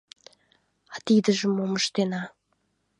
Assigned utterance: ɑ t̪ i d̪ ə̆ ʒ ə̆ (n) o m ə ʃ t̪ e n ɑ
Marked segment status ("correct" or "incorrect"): incorrect